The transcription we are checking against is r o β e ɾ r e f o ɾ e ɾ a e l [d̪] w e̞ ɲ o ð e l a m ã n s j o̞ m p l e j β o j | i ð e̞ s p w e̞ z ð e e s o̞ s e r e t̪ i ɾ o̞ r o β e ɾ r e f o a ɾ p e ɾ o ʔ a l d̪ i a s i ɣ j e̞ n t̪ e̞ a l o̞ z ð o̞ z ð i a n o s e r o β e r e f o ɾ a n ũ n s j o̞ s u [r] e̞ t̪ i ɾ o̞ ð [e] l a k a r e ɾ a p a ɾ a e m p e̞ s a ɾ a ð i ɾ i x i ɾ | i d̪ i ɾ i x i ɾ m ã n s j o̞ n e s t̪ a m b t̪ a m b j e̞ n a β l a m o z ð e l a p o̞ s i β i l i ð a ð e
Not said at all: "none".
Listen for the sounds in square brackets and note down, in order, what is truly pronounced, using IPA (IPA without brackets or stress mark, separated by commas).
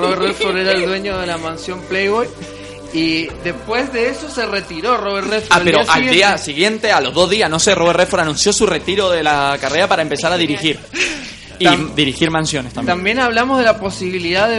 d̪, r, e